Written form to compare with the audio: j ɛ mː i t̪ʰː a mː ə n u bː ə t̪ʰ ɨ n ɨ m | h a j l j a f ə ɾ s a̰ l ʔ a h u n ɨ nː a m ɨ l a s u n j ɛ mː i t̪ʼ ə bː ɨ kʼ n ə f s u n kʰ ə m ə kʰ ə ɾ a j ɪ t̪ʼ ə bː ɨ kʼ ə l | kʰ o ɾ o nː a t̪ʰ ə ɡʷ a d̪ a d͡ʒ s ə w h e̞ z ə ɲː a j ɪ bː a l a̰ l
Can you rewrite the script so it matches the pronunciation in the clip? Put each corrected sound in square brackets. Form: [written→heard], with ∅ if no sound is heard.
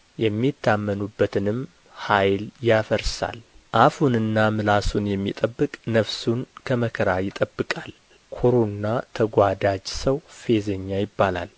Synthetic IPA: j ɛ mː i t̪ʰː a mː ə n u bː ə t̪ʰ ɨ n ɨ m | h a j l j a f ə ɾ s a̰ l ʔ a [h→f] u n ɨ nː a m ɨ l a s u n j ɛ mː i t̪ʼ ə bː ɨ kʼ n ə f s u n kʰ ə m ə kʰ ə ɾ a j ɪ t̪ʼ ə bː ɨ kʼ [ə→a] l | kʰ o ɾ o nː a t̪ʰ ə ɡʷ a d̪ a d͡ʒ s ə w [h→f] e̞ z ə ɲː a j ɪ bː a l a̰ l